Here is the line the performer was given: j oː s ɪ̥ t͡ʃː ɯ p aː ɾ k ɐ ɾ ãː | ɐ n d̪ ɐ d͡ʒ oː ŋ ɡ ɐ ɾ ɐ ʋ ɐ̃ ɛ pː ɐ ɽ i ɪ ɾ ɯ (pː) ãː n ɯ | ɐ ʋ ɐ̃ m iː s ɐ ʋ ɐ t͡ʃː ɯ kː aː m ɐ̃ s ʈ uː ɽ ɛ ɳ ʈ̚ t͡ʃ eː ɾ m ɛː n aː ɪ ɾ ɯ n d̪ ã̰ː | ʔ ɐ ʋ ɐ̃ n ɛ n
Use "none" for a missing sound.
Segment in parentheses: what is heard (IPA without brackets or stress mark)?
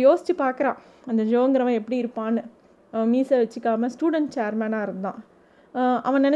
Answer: pː